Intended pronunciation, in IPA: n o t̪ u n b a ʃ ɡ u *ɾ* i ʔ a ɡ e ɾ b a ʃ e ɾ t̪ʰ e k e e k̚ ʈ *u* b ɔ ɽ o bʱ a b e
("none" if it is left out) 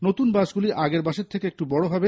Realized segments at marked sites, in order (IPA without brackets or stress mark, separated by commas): l, u